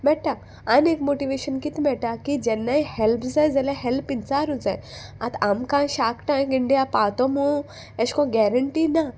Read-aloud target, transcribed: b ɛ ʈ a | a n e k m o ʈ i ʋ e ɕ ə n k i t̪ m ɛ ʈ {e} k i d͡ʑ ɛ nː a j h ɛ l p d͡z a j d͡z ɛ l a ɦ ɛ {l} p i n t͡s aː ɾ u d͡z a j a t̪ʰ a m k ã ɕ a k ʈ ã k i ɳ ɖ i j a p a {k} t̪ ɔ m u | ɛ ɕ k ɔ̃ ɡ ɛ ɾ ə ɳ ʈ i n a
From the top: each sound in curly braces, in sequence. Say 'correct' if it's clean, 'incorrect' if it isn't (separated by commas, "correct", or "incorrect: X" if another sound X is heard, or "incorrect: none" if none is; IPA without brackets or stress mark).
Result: incorrect: a, correct, incorrect: none